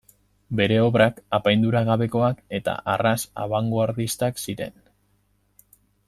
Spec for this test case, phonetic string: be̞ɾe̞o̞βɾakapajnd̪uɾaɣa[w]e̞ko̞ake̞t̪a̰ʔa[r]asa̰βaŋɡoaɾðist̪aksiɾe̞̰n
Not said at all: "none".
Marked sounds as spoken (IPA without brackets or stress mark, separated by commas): β, r